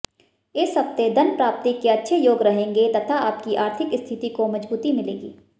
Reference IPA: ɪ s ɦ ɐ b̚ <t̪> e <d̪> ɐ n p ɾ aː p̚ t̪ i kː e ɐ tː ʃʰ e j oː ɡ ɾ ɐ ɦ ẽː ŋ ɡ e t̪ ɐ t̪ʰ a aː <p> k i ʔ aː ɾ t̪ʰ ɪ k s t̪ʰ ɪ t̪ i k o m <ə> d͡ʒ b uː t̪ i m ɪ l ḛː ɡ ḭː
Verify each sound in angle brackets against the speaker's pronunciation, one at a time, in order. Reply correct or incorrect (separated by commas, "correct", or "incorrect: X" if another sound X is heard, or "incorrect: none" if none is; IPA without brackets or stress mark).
correct, correct, correct, incorrect: ɐ